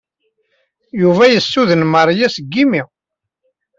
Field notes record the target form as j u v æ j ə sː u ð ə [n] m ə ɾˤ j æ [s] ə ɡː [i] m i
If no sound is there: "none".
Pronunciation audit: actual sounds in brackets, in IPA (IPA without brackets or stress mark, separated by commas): n, s, i